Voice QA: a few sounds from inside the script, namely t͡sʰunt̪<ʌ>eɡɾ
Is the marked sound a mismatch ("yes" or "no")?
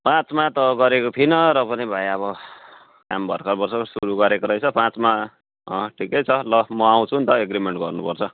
no